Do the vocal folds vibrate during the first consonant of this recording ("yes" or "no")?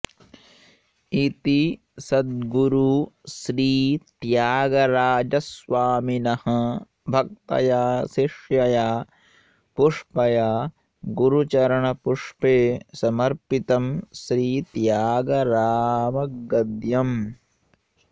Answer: no